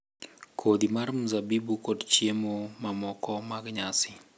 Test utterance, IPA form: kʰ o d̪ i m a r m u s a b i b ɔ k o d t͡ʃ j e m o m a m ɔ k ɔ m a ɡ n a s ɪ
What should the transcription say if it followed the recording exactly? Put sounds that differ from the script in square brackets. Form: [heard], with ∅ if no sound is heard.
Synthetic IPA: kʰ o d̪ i m a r m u [z] a b i b [u] k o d t͡ʃ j e m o m a m ɔ k ɔ m a ɡ [ɲ] a s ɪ